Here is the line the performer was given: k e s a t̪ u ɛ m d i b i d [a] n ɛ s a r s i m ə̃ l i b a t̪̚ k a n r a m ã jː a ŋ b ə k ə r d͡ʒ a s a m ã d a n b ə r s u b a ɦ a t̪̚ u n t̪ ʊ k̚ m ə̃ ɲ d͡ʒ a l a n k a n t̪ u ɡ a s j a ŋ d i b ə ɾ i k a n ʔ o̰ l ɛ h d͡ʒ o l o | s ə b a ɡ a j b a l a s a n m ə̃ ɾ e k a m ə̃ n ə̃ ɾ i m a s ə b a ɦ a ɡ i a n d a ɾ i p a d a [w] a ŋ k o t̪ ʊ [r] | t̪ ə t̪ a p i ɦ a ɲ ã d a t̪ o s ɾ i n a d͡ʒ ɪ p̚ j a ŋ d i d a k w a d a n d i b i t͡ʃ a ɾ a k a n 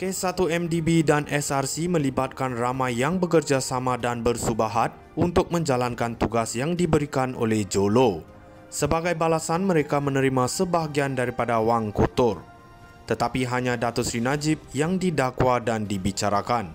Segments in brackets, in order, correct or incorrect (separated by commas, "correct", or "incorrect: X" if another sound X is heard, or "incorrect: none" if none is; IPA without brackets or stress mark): correct, correct, correct